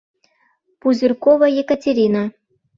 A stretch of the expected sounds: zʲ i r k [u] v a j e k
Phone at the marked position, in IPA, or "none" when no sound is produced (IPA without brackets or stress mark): o